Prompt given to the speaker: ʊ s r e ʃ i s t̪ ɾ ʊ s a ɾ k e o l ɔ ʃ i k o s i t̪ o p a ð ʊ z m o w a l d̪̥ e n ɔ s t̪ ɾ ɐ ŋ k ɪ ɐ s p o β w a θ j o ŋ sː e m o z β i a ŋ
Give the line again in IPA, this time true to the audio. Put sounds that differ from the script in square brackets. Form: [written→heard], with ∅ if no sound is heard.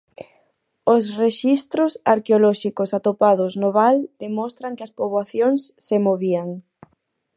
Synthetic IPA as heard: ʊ s r e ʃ i s t̪ ɾ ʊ s a ɾ k e o l ɔ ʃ i k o s [i→a] t̪ o p a ð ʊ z [m→n] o [w→β] a l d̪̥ e [n→m] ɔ s t̪ ɾ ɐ ŋ k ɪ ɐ s p o β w a θ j o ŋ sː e m o [z→∅] β i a ŋ